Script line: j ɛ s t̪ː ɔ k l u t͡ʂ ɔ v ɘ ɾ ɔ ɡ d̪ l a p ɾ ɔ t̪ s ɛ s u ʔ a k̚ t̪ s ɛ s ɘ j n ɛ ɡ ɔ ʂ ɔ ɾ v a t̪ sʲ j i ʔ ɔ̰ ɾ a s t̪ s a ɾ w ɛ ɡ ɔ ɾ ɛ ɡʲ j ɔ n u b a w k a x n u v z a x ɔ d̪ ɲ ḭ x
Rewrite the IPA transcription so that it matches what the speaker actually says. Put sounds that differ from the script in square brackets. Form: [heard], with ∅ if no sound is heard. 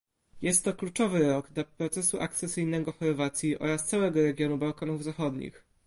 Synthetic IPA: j ɛ s t̪ː ɔ k l u t͡ʂ ɔ v ɘ ɾ ɔ ɡ d̪ l a p ɾ ɔ t̪ s ɛ s u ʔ a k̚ t̪ s ɛ s ɘ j n ɛ ɡ ɔ [x] ɔ ɾ v a t̪ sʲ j i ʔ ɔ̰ ɾ a s t̪ s a [∅] w ɛ ɡ ɔ ɾ ɛ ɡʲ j ɔ n u b a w k a [∅] n u v z a x ɔ d̪ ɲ ḭ x